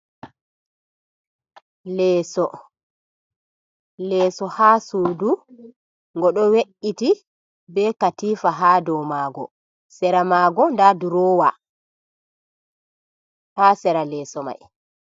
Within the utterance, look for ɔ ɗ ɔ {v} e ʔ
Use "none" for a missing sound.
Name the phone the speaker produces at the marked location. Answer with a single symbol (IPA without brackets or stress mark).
w